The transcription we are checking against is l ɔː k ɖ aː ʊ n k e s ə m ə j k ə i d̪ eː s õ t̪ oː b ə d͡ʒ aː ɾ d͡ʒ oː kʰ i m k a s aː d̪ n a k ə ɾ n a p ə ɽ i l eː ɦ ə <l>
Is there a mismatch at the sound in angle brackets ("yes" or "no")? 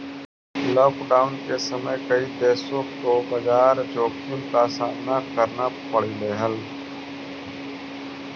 no